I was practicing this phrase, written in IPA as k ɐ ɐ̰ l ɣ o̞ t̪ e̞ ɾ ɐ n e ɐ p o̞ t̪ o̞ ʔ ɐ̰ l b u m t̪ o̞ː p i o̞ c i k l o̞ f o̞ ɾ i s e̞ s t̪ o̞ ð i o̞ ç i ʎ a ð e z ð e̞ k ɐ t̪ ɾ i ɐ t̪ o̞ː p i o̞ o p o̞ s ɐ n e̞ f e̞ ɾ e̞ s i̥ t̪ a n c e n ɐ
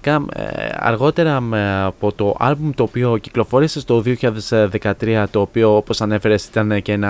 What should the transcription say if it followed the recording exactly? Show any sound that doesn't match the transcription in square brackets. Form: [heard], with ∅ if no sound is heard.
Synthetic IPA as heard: k ɐ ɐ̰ [ɾ] ɣ o̞ t̪ e̞ ɾ ɐ [m] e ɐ p o̞ t̪ o̞ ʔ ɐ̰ l b u m t̪ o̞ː p i o̞ c i k l o̞ f o̞ ɾ i s e̞ s t̪ o̞ ð i o̞ ç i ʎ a ð e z ð e̞ k ɐ t̪ ɾ i ɐ t̪ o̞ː p i o̞ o p o̞ s ɐ n e̞ f e̞ ɾ e̞ s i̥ t̪ [ɐ] n c e n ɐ